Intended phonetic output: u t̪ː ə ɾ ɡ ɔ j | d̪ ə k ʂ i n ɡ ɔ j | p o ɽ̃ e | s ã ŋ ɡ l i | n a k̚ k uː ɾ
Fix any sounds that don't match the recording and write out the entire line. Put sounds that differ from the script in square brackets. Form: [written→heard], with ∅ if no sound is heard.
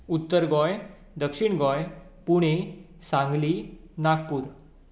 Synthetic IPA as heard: u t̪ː ə ɾ ɡ ɔ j | d̪ ə k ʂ i [n→ɳ] ɡ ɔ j | p [o→u] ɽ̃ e | s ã ŋ ɡ l i | n a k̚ [k→p] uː ɾ